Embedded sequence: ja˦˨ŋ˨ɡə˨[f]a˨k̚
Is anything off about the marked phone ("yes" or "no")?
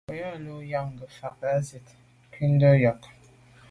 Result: no